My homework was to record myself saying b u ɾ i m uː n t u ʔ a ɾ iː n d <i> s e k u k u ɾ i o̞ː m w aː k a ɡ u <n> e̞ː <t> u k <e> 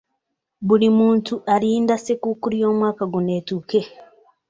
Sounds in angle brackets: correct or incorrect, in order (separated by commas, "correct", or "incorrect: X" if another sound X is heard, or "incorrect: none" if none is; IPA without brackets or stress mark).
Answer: incorrect: a, correct, correct, correct